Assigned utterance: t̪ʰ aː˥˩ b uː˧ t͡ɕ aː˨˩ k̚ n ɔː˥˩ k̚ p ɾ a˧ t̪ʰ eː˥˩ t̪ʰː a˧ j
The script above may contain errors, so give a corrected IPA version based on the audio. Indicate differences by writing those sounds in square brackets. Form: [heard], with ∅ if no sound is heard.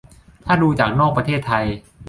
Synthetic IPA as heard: t̪ʰ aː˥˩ [d] uː˧ t͡ɕ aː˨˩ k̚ n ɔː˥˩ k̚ p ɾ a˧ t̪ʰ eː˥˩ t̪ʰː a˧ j